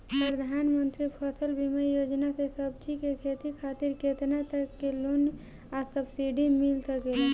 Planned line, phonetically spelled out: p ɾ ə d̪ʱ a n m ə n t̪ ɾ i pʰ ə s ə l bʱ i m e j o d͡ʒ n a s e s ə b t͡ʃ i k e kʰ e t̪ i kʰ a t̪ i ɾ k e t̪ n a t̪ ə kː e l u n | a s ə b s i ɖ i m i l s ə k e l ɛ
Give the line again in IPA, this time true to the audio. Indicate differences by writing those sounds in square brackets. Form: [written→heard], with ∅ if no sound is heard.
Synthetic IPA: p ɾ ə d̪ʱ a n m ə n t̪ ɾ i pʰ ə s ə l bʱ i m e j o d͡ʒ n a s e s ə b t͡ʃ i k e kʰ e t̪ i kʰ a t̪ i ɾ k e t̪ n a t̪ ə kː e l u n | a s ə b s i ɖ i m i l s ə k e l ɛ